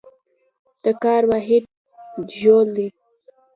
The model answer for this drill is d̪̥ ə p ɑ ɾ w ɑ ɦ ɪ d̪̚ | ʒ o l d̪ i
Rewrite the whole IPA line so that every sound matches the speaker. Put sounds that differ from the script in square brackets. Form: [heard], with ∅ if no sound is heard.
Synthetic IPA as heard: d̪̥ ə [k] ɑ ɾ w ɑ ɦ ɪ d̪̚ | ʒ o l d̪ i